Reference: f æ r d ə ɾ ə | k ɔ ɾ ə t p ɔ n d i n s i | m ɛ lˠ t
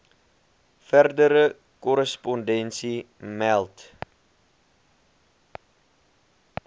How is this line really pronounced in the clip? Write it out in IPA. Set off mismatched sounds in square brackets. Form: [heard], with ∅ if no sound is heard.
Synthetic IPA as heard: f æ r d ə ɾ ə | k ɔ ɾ ə [s] p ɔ n d [ɛ] n s i | m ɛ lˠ t